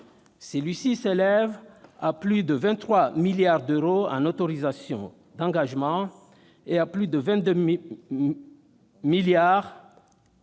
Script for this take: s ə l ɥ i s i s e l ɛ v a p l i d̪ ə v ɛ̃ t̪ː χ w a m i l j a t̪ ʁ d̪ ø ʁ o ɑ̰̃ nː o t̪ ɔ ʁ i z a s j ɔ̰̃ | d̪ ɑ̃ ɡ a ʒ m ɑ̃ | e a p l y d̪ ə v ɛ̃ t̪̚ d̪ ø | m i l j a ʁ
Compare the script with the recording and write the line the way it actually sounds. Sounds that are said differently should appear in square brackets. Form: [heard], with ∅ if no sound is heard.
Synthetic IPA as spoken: s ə l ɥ i s i s e l ɛ v a p l [y] d̪ ə v ɛ̃ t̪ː χ w a m i l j a [∅] ʁ d̪ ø ʁ o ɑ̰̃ [n] o t̪ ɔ ʁ i z a s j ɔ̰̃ | d̪ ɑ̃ ɡ a ʒ m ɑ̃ | e a p l y d̪ ə v ɛ̃ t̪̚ d̪ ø | m i l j a ʁ